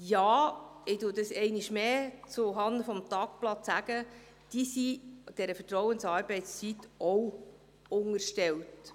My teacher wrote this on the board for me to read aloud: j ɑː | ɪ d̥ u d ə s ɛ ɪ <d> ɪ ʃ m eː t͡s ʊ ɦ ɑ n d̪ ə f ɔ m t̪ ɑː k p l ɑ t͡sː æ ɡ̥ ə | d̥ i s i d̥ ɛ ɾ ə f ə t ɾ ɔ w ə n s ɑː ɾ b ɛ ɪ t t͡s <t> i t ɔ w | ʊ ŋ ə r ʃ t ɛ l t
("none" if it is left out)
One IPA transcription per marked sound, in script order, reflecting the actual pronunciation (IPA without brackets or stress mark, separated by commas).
n, t͡s